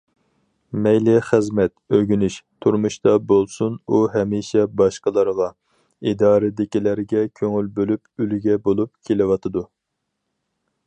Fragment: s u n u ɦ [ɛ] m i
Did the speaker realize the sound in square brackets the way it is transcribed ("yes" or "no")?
yes